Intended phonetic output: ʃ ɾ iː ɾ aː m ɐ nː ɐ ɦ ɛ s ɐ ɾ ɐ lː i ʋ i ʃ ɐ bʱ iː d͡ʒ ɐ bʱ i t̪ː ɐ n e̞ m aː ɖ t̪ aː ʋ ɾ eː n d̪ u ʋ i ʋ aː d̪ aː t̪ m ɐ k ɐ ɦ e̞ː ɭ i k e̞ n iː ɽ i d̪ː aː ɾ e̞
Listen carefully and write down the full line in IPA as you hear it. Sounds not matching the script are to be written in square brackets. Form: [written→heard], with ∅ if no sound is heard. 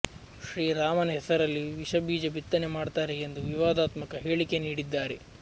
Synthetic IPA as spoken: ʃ ɾ iː ɾ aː m ɐ [nː→n] ɐ ɦ ɛ s ɐ ɾ ɐ lː i ʋ i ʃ ɐ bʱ iː d͡ʒ ɐ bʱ i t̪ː ɐ n e̞ m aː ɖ t̪ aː [ʋ→∅] ɾ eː n d̪ u ʋ i ʋ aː d̪ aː t̪ m ɐ k ɐ ɦ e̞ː ɭ i k e̞ n iː ɽ i d̪ː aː ɾ e̞